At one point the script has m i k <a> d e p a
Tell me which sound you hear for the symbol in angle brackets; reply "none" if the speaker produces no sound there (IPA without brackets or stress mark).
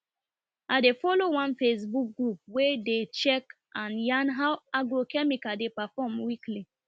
a